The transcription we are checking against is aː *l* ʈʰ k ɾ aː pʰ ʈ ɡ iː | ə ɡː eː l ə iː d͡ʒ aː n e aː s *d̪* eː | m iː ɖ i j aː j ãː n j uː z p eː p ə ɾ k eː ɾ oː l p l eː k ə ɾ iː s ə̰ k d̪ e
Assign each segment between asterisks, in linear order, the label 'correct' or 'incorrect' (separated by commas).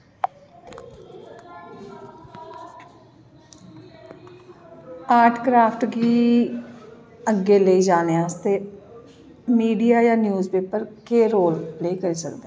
incorrect, incorrect